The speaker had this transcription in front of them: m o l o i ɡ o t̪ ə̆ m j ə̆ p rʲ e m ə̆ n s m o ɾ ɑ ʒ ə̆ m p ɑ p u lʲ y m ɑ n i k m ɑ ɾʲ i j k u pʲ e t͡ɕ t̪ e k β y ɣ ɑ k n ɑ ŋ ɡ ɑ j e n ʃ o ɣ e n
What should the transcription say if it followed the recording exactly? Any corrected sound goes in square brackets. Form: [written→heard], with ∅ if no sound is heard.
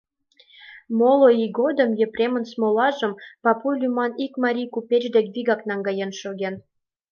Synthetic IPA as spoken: m o l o i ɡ o [t̪→d̪] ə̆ m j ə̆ p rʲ e m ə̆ n s m o [ɾ→l] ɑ ʒ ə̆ m p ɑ p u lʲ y m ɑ n i k m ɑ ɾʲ i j k u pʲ e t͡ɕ [t̪→d̪] e k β [y→i] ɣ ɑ k n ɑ ŋ ɡ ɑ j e n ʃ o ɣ e n